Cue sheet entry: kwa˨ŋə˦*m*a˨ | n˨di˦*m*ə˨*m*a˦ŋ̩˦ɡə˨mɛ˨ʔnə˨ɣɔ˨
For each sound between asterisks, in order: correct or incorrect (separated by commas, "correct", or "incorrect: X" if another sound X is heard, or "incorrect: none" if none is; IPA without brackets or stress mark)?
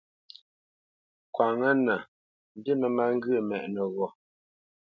incorrect: n, correct, correct